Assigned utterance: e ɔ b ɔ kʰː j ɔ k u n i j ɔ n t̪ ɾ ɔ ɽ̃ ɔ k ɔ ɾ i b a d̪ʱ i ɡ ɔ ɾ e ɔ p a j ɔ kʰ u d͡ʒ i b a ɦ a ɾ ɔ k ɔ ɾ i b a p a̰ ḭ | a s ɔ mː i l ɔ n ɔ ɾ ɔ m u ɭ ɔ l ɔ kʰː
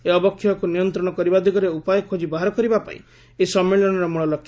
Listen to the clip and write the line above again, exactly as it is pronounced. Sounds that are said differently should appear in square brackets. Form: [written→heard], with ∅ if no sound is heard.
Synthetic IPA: e ɔ b ɔ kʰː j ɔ k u n i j ɔ n t̪ ɾ ɔ ɽ̃ ɔ k ɔ ɾ i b a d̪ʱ i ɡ ɔ ɾ e [ɔ→u] p a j ɔ kʰ [u→o] d͡ʒ i b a ɦ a ɾ ɔ k ɔ ɾ i b a p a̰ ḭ | [a→e] s ɔ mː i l ɔ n ɔ ɾ ɔ m u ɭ ɔ l ɔ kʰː